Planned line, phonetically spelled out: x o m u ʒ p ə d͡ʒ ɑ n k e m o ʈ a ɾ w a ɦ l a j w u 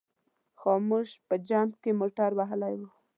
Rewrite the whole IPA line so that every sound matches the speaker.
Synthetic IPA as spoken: x o m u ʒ p ə d͡ʒ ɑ m k e m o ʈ a ɾ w a ɦ l a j w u

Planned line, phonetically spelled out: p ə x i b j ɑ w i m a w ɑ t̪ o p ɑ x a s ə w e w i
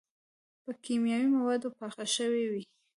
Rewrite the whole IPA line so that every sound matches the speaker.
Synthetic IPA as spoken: p ə k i m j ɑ w i m a w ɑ d̪ o p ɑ x a ʃ ə w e w i

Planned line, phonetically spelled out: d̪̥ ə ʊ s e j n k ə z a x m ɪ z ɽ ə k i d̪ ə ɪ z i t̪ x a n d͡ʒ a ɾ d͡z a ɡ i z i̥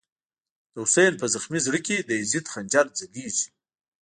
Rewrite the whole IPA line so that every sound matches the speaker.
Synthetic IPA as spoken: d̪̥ ə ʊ s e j n p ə z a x m i z ɽ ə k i d̪ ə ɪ z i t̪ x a n d͡ʒ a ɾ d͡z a ɡ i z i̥

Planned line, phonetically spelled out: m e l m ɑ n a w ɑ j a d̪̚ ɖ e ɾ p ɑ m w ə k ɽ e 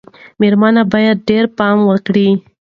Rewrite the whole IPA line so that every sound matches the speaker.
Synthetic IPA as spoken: m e ɾ m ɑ n a b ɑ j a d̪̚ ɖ e ɾ p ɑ m w ə k ɽ i

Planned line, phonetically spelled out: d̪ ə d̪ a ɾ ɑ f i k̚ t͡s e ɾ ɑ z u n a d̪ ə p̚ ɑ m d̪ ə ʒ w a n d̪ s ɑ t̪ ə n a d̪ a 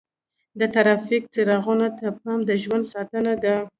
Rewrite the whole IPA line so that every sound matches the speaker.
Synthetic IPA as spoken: d̪ ə t̪ a ɾ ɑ f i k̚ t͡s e ɾ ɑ ɣ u n a t̪ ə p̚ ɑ m d̪ ə ʒ w a n d̪ s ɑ t̪ ə n a d̪ a

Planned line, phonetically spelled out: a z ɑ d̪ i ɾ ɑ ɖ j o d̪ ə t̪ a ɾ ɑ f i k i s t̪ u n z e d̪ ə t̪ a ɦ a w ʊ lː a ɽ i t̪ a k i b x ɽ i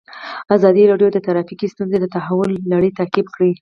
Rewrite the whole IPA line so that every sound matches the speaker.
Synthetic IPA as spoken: a z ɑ d̪ i ɾ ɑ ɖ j o d̪ ə t̪ a ɾ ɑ f i k i s t̪ u n z e d̪ ə t̪ a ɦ a w ʊ lː a ɽ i t̪ a k i b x ɽ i

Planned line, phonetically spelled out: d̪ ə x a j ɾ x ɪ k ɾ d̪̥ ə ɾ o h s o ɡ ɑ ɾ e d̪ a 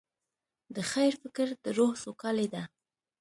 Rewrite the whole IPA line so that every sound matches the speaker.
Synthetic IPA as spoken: d̪ ə x a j ɾ f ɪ k ɾ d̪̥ ə ɾ o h s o k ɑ l e d̪ a

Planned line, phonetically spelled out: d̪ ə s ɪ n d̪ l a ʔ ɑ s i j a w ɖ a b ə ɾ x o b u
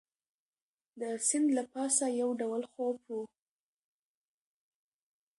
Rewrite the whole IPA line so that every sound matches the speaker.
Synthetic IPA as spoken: d̪ ə s ɪ n d̪ l a p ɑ s a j a w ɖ a w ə l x o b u

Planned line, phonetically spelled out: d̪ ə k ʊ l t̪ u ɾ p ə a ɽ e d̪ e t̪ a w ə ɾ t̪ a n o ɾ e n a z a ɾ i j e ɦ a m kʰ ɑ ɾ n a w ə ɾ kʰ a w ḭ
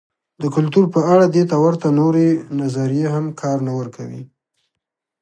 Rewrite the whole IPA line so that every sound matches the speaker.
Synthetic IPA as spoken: d̪ ə k ʊ l t̪ u ɾ p ə a ɽ a d̪ e t̪ a w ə ɾ t̪ a n o ɾ e n a z a ɾ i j e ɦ a m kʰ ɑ ɾ n a w ə ɾ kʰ a w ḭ

